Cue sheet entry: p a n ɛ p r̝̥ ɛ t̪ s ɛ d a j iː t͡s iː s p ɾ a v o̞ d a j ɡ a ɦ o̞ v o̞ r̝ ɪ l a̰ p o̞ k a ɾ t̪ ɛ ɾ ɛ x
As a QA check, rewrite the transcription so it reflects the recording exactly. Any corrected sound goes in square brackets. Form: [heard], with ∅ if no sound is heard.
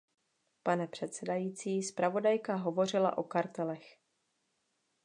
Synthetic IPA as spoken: p a n ɛ p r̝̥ ɛ t̪ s ɛ d a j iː t͡s iː s p ɾ a v o̞ d a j [k] a ɦ o̞ v o̞ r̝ ɪ l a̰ [ʔ] o̞ k a ɾ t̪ ɛ [l] ɛ x